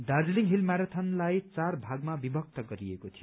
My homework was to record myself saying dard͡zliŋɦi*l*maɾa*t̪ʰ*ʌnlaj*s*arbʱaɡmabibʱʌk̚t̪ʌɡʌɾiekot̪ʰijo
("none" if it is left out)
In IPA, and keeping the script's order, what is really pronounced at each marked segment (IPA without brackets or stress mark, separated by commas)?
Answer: l, t̪ʰ, t͡s